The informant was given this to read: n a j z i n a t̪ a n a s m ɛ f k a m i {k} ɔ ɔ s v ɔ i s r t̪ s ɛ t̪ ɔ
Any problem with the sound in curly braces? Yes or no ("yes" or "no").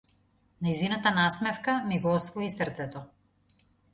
yes